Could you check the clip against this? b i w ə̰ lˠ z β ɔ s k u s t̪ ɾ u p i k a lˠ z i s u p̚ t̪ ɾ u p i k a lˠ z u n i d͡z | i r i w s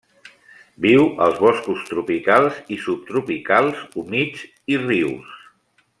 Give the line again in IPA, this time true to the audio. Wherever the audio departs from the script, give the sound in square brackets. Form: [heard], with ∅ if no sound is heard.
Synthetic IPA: b i w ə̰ lˠ z β ɔ s k u s t̪ ɾ u p i k a lˠ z i s u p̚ t̪ ɾ u p i k a lˠ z u [m] i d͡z | i r i w s